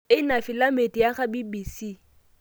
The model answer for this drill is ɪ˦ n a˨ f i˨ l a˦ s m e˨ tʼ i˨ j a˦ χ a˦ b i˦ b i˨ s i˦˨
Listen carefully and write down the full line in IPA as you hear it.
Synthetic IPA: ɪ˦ n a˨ f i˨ l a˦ m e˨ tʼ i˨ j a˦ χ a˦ b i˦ b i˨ s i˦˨